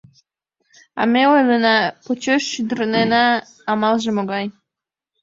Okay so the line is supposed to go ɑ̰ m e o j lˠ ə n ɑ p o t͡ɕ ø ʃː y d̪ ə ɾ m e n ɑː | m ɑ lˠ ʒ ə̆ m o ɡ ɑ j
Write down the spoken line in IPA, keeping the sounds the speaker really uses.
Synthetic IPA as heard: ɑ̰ m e o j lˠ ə n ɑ p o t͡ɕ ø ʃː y d̪ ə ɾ n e n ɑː | m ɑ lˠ ʒ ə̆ m o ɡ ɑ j